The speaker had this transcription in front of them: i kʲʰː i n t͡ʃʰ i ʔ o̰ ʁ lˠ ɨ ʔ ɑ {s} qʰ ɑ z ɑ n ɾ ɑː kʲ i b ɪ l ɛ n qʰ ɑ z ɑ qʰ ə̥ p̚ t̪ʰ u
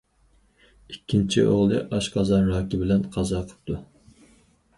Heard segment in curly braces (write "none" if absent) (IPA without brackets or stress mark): ʃ